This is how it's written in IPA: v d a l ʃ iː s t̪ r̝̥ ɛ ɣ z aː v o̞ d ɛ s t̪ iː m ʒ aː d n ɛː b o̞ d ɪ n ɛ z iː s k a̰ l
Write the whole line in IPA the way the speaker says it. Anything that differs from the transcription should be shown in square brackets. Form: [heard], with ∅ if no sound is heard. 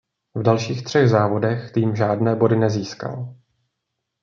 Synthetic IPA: v d a l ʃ iː [x] t̪ r̝̥ ɛ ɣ z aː v o̞ d ɛ [x] t̪ iː m ʒ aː d n ɛː b o̞ d ɪ n ɛ z iː s k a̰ l